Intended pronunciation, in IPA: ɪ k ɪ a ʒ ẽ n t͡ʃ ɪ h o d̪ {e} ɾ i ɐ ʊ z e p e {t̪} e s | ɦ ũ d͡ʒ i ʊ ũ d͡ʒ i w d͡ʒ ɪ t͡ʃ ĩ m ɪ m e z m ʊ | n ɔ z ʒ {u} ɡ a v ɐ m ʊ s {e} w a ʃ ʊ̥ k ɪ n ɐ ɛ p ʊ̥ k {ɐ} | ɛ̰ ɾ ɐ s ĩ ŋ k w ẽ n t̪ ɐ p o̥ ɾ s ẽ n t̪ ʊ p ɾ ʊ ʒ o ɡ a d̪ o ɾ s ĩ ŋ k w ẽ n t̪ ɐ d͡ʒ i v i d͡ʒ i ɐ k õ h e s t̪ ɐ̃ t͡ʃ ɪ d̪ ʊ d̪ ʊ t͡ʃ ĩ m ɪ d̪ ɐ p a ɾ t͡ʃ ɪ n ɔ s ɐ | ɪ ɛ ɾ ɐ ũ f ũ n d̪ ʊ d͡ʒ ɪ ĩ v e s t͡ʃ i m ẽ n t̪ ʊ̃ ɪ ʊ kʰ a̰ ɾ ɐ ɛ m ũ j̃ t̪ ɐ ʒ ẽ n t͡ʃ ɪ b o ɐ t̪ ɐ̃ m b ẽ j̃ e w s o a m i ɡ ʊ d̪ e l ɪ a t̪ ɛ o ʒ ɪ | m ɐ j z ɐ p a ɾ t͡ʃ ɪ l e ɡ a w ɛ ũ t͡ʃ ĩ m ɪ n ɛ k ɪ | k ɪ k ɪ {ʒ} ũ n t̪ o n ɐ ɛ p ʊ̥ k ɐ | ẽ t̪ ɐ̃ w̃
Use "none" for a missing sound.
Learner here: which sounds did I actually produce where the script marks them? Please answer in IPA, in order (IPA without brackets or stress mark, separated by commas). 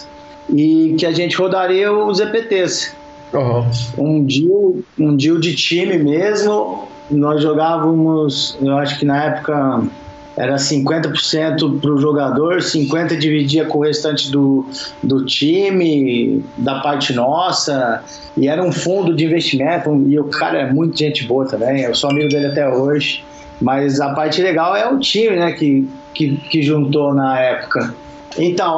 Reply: a, t̪, o, e, ɐ, ʒ